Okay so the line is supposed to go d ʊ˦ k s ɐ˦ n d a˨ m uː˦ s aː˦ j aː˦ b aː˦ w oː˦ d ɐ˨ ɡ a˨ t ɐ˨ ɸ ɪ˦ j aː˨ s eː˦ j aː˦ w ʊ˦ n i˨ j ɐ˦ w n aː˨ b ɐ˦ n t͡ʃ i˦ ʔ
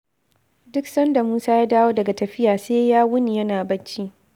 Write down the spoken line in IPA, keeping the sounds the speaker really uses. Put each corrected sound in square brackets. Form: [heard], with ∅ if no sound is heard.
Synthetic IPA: d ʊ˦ k s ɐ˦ n d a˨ m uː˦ s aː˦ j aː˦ [d] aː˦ w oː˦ d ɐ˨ ɡ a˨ t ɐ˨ ɸ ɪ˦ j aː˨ s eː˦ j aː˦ w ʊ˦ n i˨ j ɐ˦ [∅] n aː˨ b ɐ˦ n t͡ʃ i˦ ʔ

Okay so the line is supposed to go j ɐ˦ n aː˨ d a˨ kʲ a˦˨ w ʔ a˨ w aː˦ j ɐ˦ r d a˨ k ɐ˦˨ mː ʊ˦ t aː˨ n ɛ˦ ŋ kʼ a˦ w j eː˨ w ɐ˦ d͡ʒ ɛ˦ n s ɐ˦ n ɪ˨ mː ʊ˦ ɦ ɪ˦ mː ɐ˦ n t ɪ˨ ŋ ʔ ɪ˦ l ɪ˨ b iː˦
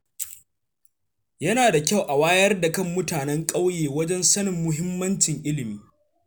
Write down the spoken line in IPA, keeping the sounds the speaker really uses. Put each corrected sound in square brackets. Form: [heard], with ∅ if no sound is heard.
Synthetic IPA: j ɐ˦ n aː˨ d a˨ kʲ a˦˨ w ʔ a˨ w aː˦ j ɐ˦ r d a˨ k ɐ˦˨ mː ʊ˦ t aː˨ n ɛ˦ ŋ kʼ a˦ w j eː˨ w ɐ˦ d͡ʒ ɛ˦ n s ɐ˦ n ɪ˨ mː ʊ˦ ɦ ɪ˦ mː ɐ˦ n [t͡ʃ] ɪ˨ ŋ ʔ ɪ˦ l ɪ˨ [m] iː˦

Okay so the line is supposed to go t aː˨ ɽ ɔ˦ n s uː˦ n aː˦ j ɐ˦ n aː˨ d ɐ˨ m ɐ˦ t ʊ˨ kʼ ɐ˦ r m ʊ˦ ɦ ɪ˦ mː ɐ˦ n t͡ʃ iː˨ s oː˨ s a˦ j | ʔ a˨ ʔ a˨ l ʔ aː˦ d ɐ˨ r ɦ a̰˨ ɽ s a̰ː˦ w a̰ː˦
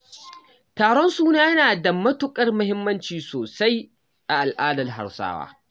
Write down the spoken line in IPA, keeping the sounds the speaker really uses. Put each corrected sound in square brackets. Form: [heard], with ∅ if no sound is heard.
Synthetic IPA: t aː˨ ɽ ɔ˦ n s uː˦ n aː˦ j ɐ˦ n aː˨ d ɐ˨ m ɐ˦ t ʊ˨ kʼ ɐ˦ r m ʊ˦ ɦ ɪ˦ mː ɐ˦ n t͡ʃ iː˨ s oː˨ s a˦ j | ʔ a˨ ʔ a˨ l ʔ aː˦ d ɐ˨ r ɦ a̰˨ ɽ s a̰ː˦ w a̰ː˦

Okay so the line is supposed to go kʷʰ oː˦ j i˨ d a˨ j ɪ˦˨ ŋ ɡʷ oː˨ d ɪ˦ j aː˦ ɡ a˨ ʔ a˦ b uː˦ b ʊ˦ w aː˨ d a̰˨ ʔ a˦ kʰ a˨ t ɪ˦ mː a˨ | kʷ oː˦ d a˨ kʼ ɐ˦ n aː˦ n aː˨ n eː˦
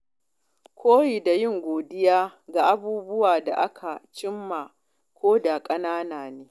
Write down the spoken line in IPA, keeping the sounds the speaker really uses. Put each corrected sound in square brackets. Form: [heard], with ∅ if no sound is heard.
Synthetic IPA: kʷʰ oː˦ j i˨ d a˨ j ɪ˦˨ ŋ ɡʷ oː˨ d ɪ˦ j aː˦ ɡ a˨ ʔ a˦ b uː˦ b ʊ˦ w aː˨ d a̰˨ ʔ a˦ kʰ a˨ [t͡ʃ] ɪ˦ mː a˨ | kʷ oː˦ d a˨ kʼ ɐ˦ n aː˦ n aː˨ n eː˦

